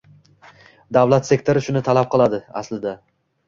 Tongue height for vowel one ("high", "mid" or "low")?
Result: low